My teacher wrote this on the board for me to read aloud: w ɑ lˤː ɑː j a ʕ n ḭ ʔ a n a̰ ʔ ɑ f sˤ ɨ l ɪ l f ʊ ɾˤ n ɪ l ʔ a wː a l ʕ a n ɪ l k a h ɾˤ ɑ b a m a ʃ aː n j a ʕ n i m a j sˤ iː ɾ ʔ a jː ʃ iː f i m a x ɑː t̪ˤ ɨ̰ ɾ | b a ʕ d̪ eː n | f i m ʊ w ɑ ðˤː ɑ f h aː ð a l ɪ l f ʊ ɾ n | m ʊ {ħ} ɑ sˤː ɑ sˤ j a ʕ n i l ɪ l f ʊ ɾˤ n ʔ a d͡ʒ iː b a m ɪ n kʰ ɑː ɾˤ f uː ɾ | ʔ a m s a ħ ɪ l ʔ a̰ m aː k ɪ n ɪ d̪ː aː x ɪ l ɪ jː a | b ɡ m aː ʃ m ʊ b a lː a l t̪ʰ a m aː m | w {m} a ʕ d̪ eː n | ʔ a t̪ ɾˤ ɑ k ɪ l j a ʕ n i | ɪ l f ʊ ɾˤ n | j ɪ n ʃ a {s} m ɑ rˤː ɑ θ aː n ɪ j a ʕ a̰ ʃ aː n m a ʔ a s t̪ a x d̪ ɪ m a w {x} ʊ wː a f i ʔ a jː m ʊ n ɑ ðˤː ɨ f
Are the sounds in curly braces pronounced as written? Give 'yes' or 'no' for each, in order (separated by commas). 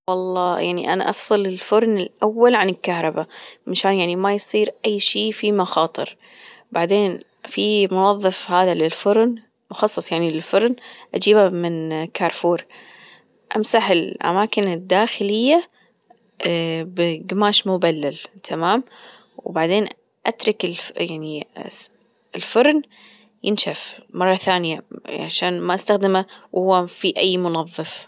no, no, no, no